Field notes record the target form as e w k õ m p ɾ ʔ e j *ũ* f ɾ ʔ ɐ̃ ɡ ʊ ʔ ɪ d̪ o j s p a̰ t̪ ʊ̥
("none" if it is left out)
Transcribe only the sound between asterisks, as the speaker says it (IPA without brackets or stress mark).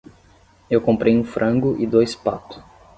ũ